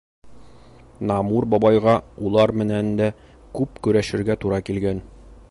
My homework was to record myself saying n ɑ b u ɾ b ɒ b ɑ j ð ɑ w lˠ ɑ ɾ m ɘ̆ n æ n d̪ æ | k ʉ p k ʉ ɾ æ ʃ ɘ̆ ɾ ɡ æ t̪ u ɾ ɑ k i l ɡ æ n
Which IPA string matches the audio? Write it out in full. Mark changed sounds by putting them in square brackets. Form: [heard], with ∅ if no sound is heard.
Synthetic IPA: n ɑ [m] u ɾ b ɒ b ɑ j [ʁ] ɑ [u] lˠ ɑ ɾ m ɘ̆ n æ n d̪ æ | k ʉ p k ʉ ɾ æ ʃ ɘ̆ ɾ ɡ æ t̪ u ɾ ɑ k i l ɡ æ n